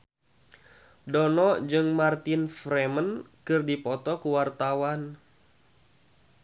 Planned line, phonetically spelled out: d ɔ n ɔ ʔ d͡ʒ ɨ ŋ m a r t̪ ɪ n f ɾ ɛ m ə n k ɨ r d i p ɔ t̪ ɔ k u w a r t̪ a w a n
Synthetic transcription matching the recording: d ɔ n ɔ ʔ d͡ʒ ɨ ŋ m a r t̪ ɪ n f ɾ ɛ m ə n k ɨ r d i p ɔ t̪ ɔ k u w a r t̪ a w a n